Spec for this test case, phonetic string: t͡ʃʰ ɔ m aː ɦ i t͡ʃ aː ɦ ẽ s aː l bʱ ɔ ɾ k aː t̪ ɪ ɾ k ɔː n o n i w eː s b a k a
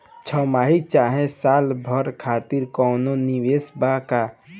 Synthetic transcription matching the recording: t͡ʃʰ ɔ m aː ɦ i t͡ʃ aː ɦ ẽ s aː l bʱ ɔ ɾ kʰ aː t̪ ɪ ɾ k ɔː n o n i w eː s b a k a